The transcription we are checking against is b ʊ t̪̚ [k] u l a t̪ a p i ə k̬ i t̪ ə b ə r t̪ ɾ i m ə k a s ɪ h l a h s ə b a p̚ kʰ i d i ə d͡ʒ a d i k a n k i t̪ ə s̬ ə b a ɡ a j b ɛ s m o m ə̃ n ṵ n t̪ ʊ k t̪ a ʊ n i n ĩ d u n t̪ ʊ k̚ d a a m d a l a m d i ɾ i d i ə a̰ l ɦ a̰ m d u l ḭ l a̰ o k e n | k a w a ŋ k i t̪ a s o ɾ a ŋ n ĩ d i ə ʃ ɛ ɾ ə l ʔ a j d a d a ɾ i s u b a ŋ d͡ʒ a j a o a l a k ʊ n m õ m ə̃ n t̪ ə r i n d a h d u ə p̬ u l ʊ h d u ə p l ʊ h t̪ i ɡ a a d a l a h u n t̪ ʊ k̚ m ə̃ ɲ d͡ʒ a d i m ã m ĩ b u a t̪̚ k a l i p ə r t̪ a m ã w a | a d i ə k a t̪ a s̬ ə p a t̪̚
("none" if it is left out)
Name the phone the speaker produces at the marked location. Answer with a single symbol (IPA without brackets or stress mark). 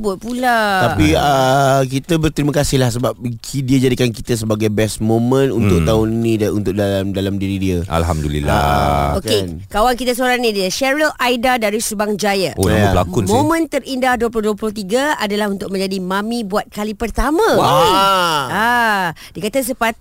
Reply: p